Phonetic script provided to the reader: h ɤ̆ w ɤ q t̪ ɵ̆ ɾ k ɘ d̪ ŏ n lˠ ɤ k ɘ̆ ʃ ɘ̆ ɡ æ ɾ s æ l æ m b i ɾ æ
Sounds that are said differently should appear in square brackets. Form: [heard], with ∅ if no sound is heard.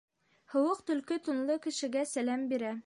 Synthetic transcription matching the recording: h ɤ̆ w ɤ q t̪ ɵ̆ [l] k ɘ [t̪] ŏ n lˠ ɤ k ɘ̆ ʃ ɘ̆ ɡ æ [∅] s æ l æ m b i ɾ æ